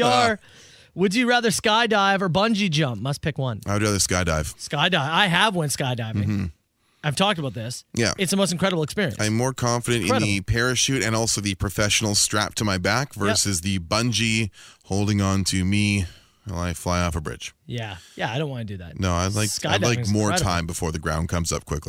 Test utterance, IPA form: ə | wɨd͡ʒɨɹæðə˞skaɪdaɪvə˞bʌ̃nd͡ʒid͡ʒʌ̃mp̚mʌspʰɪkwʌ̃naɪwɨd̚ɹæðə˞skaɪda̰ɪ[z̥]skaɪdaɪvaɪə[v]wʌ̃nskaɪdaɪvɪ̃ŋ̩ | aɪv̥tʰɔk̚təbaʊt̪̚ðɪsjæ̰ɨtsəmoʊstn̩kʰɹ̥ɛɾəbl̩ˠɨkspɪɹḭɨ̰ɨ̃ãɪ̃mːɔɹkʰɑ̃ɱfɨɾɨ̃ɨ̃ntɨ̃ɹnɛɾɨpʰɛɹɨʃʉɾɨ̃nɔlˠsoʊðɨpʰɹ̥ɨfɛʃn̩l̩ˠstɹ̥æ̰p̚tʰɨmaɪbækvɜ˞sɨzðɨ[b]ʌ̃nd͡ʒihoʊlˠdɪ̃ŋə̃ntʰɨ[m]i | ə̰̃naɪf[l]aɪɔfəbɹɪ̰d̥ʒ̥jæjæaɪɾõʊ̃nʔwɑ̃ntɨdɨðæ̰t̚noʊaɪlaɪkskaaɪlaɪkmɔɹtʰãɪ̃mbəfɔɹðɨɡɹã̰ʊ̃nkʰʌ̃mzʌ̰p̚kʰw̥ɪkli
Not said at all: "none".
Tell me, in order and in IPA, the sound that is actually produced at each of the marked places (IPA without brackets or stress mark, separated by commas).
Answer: v̥, v, b, m, l